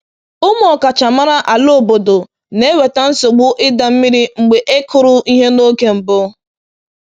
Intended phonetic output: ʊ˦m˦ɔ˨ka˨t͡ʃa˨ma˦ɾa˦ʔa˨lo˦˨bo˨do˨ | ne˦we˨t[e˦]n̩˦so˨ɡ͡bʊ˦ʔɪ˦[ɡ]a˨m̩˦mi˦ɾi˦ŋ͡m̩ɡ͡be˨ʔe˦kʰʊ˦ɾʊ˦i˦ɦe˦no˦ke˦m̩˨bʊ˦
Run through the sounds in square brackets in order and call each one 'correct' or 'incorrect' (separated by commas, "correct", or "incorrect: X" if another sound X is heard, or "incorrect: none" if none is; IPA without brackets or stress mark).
incorrect: a˦, incorrect: d